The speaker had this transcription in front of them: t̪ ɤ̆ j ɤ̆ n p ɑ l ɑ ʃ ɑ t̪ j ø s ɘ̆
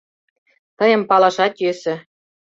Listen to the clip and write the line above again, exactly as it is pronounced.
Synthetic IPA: t̪ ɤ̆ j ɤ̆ m p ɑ l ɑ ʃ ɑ t̪ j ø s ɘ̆